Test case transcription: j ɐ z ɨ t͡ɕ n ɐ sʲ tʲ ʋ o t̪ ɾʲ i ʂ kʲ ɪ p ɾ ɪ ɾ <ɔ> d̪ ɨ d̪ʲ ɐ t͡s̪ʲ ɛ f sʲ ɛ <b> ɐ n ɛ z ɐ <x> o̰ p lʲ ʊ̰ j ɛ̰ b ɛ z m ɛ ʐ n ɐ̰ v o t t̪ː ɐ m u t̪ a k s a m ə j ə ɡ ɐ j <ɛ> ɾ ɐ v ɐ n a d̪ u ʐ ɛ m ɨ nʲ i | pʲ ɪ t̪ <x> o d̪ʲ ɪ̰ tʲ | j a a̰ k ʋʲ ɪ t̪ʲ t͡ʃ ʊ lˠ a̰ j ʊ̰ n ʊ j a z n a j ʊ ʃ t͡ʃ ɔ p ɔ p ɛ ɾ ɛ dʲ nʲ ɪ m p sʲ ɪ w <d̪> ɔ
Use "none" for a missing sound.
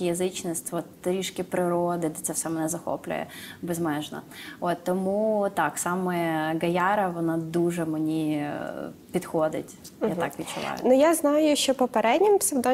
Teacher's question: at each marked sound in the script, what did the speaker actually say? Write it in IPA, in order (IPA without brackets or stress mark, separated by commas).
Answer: o, m, x, a, x, d̪